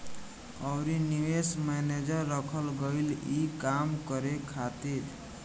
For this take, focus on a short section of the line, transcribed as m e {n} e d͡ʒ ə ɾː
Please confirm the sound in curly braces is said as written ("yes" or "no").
yes